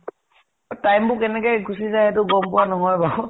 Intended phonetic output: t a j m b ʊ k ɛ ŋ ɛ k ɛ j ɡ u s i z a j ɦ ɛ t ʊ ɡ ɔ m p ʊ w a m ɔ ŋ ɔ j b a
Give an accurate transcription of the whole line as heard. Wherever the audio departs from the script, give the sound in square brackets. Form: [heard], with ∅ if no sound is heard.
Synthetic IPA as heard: t a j m b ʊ k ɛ [n] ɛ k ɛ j ɡ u s i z a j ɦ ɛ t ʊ ɡ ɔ m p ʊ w a [n] ɔ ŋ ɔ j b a